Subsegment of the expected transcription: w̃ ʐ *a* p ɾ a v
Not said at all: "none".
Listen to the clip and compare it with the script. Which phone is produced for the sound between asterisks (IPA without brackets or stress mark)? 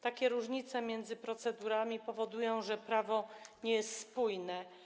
ɛ